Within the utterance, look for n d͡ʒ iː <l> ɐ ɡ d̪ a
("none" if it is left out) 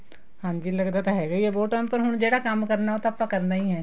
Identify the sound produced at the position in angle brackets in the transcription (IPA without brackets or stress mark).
l